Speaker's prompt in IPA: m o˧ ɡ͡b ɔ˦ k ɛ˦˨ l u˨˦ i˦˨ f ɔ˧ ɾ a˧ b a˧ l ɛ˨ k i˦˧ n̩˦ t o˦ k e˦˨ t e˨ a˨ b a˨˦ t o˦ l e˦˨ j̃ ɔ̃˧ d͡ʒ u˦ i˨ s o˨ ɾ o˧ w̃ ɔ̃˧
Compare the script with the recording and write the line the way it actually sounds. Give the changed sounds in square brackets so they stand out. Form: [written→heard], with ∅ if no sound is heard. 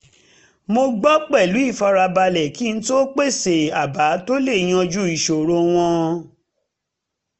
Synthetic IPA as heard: m o˧ ɡ͡b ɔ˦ [k→k͡p] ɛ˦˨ l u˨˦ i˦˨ f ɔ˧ ɾ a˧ b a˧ l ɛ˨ k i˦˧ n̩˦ t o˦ [k→k͡p] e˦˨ [t→s] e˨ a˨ b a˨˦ t o˦ l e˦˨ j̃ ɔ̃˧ d͡ʒ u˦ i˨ [s→ʃ] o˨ ɾ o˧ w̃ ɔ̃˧